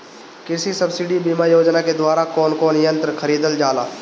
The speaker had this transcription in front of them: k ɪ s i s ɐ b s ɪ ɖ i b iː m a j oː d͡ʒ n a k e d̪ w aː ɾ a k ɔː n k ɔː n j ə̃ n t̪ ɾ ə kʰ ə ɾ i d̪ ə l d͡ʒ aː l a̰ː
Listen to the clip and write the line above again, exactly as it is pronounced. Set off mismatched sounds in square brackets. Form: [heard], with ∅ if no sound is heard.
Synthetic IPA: k ɪ s i s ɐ b s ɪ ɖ i b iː m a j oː d͡ʒ n a k e d̪ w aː ɾ a k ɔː n k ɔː n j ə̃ n t̪ ɾ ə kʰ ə ɾ [iː] d̪ ə l d͡ʒ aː l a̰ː